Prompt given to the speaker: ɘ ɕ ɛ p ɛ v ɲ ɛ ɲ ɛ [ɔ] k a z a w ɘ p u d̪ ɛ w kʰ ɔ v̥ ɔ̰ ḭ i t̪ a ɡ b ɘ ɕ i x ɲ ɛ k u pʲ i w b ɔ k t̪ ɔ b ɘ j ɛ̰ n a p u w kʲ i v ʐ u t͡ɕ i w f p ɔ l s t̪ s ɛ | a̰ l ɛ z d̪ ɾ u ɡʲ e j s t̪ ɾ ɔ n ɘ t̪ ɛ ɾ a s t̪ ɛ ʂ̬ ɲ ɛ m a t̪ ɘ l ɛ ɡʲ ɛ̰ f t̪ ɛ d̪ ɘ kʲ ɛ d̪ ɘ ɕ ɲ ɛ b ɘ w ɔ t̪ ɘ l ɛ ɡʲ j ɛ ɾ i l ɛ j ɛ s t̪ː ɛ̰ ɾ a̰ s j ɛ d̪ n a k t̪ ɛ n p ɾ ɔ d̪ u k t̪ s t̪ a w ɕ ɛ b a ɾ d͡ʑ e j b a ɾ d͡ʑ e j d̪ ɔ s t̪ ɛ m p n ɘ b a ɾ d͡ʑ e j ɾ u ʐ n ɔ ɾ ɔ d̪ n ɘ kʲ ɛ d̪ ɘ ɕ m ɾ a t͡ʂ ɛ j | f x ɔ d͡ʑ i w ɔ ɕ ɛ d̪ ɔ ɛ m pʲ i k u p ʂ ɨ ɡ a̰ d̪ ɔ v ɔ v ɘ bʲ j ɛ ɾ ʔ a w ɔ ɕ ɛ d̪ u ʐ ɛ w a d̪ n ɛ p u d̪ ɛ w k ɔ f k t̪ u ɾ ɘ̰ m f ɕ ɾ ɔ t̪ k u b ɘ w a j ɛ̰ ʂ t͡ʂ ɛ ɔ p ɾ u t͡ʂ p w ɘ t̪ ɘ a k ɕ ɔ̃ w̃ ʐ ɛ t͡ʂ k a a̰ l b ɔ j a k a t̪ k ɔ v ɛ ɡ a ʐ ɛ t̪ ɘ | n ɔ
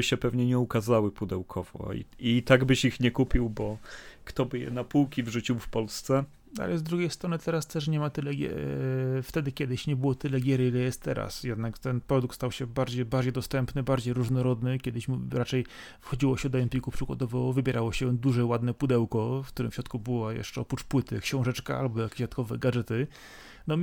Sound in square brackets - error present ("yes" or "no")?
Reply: yes